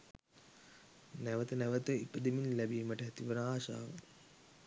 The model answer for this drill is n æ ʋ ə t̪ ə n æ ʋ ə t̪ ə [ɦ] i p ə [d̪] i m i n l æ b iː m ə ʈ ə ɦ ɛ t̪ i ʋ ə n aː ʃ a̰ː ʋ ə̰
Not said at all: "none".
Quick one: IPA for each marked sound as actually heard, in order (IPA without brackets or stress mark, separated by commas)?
none, d̪